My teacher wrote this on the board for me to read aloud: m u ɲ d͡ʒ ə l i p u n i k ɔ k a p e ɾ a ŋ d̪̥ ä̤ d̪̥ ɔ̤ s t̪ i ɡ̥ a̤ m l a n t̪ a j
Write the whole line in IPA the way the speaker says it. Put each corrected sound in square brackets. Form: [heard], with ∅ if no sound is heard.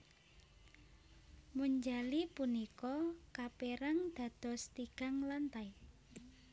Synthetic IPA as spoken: m u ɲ d͡ʒ [a] l i p u n i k ɔ k a p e ɾ a ŋ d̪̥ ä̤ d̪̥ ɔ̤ s t̪ i ɡ̥ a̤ [ŋ] l a n t̪ a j